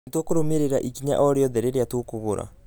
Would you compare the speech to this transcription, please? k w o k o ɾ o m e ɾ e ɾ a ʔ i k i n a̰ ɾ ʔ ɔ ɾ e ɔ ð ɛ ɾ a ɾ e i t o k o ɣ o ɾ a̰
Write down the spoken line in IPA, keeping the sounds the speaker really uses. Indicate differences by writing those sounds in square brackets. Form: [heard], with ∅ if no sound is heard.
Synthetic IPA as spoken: [t] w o k o ɾ o m e ɾ e ɾ a ʔ i k i [ɲ] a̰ [∅] ʔ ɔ ɾ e ɔ ð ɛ ɾ [e] ɾ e [a] t o k o ɣ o ɾ a̰